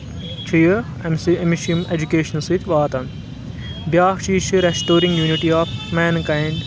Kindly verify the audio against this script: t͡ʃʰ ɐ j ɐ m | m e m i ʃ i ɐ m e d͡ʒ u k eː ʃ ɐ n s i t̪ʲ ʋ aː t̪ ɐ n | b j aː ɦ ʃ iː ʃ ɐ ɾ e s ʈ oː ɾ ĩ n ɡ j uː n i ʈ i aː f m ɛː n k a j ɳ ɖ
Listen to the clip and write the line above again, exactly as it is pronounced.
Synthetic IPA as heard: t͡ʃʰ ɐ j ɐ | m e m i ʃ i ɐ m e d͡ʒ u k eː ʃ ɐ n s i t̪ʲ ʋ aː t̪ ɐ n | b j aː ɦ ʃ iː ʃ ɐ ɾ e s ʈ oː ɾ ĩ ŋ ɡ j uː n i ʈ i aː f m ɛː n k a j ɳ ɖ